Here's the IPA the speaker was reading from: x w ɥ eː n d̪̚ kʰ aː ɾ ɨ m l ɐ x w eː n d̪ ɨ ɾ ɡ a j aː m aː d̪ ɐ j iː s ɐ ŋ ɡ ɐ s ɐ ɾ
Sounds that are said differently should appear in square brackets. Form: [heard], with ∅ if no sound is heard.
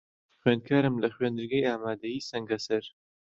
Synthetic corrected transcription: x w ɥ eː n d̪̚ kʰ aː ɾ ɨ m l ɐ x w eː n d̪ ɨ ɾ ɡ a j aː m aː d̪ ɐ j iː s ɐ ŋ ɡ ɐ s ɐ ɾ

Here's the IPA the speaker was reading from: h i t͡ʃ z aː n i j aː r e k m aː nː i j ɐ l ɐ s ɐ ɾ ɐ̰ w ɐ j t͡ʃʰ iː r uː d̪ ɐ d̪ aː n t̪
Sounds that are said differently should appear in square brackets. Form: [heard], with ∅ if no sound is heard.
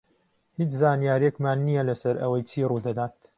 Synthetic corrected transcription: h i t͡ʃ z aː n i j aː [ɾ] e k m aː nː i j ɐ l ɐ s ɐ ɾ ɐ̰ w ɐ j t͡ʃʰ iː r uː d̪ ɐ d̪ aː [∅] t̪

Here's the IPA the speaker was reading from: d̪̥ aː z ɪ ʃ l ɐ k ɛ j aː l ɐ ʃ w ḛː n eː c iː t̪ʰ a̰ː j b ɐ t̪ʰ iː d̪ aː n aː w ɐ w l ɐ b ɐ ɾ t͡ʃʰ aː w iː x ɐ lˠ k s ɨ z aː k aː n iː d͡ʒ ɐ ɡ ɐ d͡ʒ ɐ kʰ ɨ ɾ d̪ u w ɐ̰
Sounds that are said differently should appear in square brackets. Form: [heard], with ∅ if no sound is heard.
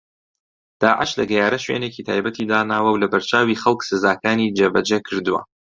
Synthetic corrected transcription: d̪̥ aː [ʕ] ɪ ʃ l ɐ [ɡ] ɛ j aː [ɾ] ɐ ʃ w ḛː n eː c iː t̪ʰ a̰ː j b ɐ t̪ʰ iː d̪ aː n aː w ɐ w l ɐ b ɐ ɾ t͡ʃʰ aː w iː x ɐ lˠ k s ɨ z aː k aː n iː d͡ʒ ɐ [b] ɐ d͡ʒ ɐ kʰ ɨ ɾ d̪ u w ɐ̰

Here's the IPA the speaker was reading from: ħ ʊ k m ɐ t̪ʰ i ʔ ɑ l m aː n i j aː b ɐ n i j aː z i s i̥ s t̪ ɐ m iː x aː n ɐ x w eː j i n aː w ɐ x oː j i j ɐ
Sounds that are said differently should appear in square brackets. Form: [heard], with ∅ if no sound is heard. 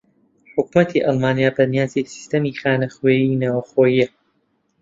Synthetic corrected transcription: ħ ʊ k m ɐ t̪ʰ i ʔ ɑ l m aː n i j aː b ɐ n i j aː z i s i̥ s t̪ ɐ m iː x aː n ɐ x w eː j i n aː w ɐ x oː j i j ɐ

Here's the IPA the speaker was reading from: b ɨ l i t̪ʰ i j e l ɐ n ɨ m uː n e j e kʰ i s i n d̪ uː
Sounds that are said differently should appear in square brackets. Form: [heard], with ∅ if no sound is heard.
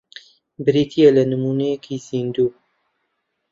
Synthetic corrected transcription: b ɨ [ɾ] i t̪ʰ i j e l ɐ n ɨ m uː n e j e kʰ i [z] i n d̪ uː

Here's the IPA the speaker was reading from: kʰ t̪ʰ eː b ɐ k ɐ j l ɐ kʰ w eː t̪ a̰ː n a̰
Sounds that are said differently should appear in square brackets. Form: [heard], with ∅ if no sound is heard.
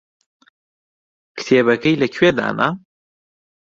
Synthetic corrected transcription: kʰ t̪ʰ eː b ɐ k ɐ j l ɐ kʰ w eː [d̪] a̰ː n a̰

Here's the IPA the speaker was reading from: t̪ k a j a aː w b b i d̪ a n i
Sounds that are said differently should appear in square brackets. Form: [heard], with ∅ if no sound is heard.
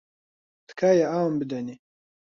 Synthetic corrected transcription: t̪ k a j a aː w [m] b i d̪ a n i

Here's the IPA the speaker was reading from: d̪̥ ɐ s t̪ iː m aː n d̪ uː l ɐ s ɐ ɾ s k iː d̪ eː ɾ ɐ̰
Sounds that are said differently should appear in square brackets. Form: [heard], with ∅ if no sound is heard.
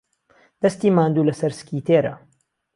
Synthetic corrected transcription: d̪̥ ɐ s t̪ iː m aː n d̪ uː l ɐ s ɐ ɾ s k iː [t̪] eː ɾ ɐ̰

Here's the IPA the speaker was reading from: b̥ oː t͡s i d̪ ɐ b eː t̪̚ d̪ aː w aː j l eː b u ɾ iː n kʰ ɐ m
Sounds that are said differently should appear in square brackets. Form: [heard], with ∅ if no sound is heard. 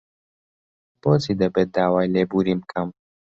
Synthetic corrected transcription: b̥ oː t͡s i d̪ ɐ b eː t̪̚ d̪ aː w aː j l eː b u ɾ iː [m] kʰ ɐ m

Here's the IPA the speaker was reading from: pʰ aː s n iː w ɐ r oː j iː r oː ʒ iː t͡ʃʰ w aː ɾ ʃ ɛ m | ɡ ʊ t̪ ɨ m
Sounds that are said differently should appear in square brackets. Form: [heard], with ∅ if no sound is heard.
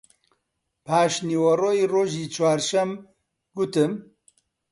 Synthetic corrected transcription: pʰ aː [ʃ] n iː w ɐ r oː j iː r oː ʒ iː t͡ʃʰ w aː ɾ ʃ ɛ m | ɡ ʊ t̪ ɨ m

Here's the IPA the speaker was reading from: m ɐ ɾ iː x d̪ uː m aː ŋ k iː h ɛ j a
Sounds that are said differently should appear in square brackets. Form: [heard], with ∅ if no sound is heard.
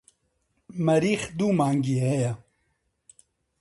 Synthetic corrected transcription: m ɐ ɾ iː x d̪ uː m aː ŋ [ɡ] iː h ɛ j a

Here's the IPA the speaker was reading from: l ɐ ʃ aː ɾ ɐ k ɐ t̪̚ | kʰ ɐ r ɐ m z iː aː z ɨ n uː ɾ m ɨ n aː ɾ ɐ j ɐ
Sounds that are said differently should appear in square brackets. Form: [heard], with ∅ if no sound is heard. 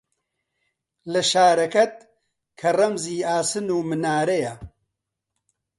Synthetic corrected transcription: l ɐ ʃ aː ɾ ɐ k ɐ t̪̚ | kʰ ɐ r ɐ m z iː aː [s] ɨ n uː [∅] m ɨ n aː ɾ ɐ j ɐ

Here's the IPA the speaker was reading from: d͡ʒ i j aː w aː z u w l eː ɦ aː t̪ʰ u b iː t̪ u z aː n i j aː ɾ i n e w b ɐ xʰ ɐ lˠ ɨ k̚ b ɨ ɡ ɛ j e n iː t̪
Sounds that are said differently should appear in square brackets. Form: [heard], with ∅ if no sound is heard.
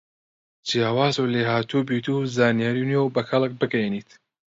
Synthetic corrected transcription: d͡ʒ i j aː w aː z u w l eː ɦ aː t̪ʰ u b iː t̪ u z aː n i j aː ɾ i n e w b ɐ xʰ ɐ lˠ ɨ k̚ b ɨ ɡ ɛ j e n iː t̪

